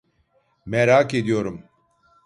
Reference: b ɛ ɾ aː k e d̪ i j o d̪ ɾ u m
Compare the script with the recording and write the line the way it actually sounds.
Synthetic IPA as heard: m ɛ ɾ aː k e d̪ i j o ɾ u m